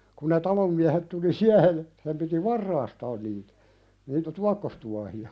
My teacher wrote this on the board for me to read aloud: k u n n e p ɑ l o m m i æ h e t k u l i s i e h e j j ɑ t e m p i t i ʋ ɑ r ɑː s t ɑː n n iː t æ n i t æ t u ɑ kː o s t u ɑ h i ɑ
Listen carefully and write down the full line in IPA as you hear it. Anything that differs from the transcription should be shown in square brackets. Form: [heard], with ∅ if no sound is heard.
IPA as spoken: k u n n e [t] ɑ l o m m i æ h e t [t] u l i s i [æ] h e j j ɑ [s] e m p i t i ʋ ɑ [rː] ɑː s t ɑː n n iː t æ n [iː] t æ t u ɑ kː o s t u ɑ h i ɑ